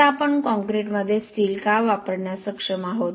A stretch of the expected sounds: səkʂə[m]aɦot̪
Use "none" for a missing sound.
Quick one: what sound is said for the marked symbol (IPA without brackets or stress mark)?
m